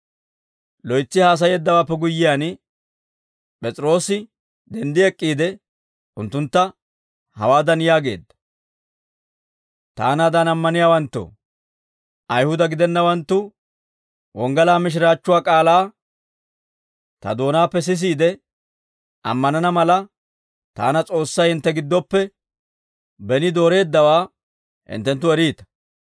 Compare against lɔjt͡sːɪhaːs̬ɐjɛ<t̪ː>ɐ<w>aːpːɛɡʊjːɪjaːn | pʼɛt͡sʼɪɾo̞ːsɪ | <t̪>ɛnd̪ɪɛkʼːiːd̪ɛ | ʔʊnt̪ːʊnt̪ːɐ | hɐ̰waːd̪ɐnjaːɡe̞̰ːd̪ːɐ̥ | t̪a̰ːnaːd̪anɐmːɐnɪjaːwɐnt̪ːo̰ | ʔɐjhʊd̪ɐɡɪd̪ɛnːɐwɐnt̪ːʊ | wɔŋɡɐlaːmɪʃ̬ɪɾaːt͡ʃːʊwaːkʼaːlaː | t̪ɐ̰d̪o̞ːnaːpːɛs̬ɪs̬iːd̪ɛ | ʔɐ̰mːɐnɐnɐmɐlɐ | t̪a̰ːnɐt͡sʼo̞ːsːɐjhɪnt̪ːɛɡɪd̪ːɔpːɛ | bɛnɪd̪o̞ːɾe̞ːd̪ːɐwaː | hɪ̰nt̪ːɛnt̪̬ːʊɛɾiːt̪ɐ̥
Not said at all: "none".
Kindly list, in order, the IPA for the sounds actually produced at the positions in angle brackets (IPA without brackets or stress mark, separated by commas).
d̪ː, w, d̪